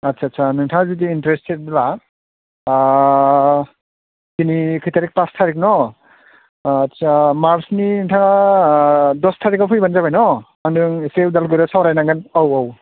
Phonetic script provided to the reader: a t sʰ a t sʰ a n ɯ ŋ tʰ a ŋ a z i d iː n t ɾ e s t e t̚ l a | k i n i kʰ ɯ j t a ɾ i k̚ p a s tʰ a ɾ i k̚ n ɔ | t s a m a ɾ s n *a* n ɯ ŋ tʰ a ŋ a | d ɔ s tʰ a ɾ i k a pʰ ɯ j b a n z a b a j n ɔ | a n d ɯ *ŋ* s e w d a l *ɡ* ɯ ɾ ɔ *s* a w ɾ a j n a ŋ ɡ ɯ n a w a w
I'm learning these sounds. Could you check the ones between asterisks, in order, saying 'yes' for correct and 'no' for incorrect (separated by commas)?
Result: no, yes, yes, yes